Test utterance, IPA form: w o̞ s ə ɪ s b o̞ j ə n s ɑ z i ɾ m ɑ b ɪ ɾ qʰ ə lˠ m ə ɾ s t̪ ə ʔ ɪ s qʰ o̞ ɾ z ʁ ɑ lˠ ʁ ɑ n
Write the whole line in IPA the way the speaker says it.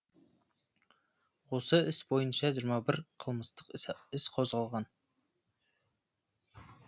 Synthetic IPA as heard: w o̞ s ə ɪ s b o̞ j ə n ʃ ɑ ʒ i ɾ m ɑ b ɪ ɾ qʰ ə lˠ m ə s t̪ ə q ɪ s qʰ o̞ z ʁ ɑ lˠ ʁ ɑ n